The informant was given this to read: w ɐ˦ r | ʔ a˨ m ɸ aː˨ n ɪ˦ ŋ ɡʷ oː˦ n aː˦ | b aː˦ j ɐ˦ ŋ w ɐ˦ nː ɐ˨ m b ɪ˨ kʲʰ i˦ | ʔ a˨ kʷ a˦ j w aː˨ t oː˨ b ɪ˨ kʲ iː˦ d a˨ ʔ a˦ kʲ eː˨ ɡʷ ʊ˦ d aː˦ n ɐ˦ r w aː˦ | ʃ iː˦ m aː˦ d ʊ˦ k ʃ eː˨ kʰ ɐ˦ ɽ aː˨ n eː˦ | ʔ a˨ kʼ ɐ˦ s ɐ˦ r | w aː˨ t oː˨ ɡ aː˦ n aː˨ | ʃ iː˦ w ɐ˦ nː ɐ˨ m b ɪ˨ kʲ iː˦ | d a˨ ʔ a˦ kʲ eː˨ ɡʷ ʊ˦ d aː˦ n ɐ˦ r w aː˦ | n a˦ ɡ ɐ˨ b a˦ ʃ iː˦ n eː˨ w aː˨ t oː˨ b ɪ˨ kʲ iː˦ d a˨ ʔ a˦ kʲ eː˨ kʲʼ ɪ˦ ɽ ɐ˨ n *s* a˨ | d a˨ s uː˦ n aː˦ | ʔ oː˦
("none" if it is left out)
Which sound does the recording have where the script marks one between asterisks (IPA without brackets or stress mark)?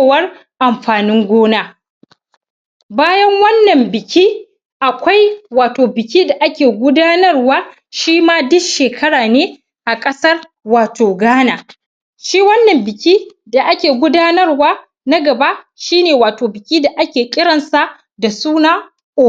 s